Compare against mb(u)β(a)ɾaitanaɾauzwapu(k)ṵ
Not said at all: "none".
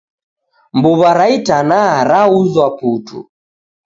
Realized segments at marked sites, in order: u, a, t

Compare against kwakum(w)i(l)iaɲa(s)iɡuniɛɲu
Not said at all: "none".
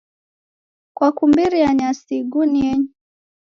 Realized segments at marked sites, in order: b, ɾ, s

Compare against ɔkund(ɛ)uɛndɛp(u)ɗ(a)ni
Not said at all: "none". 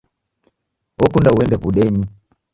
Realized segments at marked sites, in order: a, u, ɛ

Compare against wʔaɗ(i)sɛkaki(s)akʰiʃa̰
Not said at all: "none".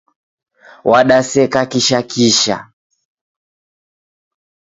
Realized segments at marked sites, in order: a, ʃ

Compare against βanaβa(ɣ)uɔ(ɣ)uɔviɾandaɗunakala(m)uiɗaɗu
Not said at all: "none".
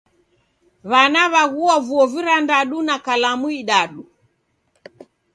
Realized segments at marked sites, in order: ɣ, v, m

